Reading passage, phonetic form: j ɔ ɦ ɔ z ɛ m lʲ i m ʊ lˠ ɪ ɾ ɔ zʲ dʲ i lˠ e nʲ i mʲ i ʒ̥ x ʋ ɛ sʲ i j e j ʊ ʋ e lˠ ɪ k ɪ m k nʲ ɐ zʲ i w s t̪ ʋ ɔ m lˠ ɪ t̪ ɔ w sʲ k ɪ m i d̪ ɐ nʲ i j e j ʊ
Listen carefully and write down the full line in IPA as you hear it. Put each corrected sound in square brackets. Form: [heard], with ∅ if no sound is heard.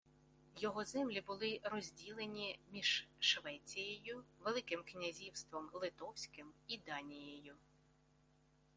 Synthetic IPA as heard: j ɔ ɦ ɔ z ɛ m lʲ i [b] ʊ lˠ ɪ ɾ ɔ zʲ dʲ i lˠ e nʲ i mʲ i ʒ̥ [ʃ] ʋ ɛ [t͡sʲ] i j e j ʊ ʋ e lˠ ɪ k ɪ m k nʲ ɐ zʲ i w s t̪ ʋ ɔ m lˠ ɪ t̪ ɔ w sʲ k ɪ m i d̪ [ɑ] nʲ i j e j ʊ